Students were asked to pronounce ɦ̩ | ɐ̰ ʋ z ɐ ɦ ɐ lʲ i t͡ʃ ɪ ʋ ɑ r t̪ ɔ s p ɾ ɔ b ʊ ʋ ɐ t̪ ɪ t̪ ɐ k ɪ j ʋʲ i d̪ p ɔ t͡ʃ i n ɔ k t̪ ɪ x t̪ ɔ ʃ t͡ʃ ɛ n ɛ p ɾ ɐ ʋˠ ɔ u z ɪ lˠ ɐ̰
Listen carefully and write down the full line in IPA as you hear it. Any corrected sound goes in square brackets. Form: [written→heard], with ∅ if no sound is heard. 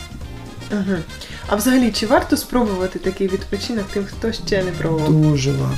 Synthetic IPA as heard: ɦ̩ | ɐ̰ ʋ z ɐ ɦ ɐ lʲ i t͡ʃ ɪ ʋ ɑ r t̪ ɔ s p ɾ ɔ b ʊ ʋ ɐ t̪ ɪ t̪ ɐ k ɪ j ʋʲ i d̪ p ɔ t͡ʃ i n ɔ k t̪ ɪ x t̪ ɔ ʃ t͡ʃ ɛ n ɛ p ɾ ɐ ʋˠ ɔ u [z→ʒ] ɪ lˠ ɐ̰